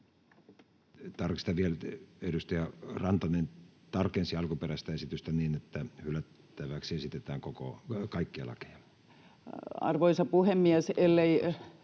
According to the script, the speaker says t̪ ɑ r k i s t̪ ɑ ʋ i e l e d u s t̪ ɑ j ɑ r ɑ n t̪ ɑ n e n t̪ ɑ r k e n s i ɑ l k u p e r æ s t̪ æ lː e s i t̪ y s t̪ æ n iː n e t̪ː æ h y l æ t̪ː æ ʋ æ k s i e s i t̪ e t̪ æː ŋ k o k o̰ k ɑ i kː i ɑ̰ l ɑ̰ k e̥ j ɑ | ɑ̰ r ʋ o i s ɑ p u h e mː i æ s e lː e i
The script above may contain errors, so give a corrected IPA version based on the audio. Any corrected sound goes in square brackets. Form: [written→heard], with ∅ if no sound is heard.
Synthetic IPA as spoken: t̪ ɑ r k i s t̪ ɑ ʋ i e l e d u s t̪ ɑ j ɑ r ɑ n t̪ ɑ n e n t̪ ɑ r k e n s i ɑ l k u p e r æ s t̪ æ [lː→∅] e s i t̪ y s t̪ æ n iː n e t̪ː æ h y l æ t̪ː æ ʋ æ k s i e s i t̪ e t̪ æː ŋ k o k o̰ k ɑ i kː i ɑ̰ l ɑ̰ k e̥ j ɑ | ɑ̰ r ʋ o i s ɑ p u h e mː i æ s e lː e i